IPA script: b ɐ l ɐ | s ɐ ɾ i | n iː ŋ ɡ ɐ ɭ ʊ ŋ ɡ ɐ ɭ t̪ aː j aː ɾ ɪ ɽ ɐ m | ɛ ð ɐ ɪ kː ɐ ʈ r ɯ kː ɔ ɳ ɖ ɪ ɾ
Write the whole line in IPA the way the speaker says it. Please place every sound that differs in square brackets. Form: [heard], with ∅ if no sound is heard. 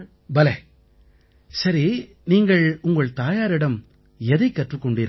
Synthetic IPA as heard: b ɐ l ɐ | s ɐ ɾ i | n iː ŋ ɡ ɐ ɭ ʊ ŋ ɡ ɐ ɭ t̪ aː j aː ɾ ɪ ɽ ɐ m | ɛ ð ɐ ɪ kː ɐ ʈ r ɯ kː ɔ ɳ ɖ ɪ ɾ